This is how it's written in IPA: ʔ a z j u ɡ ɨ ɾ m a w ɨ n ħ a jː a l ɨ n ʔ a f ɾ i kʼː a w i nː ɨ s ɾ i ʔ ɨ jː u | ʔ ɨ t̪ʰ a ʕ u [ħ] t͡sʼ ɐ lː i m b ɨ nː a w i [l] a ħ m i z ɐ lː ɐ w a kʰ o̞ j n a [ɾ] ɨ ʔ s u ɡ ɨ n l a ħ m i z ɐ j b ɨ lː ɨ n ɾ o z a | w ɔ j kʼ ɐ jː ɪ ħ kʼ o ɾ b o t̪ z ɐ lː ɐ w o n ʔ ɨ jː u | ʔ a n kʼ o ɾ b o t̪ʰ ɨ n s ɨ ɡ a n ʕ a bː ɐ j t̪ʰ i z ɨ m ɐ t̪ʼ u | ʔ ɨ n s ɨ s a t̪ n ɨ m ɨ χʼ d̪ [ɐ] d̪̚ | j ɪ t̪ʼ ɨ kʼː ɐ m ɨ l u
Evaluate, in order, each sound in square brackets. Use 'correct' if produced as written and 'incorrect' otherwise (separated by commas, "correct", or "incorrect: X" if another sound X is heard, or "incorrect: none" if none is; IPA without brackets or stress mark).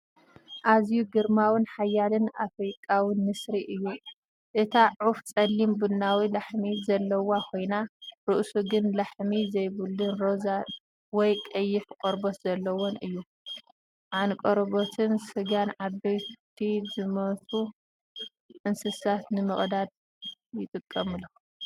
incorrect: f, correct, correct, incorrect: a